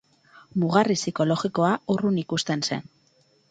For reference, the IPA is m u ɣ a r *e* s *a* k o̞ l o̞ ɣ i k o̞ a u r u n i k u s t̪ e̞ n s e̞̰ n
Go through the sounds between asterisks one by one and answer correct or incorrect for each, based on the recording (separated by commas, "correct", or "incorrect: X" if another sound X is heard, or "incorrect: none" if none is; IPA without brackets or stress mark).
incorrect: i, incorrect: i